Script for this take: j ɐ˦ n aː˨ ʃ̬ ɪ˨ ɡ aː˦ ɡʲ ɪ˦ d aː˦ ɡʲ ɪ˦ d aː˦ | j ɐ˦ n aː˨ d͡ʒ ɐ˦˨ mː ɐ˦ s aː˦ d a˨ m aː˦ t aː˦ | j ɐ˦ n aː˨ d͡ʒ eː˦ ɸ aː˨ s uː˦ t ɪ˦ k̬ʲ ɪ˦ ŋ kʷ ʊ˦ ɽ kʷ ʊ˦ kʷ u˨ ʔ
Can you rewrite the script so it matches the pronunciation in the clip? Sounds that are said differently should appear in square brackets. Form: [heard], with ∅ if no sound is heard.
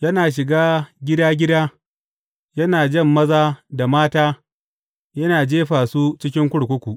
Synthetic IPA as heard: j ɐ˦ n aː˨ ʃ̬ ɪ˨ ɡ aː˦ ɡʲ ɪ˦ d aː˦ ɡʲ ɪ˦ d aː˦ | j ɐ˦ n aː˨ d͡ʒ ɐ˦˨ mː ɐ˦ [z] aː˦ d a˨ m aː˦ t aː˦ | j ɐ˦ n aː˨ d͡ʒ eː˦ ɸ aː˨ s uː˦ [t͡ʃ] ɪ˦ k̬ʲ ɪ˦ ŋ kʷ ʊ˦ ɽ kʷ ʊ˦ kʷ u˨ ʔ